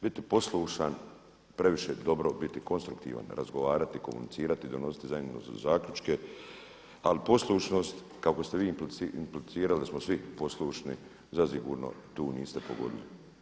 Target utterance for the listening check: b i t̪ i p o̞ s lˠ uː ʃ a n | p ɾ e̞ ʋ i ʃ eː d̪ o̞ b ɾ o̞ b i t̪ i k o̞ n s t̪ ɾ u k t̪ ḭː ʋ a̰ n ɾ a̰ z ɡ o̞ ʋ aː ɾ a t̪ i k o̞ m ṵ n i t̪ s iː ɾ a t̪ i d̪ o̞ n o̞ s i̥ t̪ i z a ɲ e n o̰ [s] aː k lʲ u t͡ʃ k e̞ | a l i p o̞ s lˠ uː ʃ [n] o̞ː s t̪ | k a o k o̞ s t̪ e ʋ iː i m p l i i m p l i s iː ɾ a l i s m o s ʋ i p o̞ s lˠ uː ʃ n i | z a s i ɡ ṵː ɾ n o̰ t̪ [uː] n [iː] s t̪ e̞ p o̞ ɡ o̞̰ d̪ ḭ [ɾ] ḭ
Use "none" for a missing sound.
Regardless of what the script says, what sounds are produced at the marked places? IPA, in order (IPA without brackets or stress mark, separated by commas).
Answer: z, n, uː, iː, l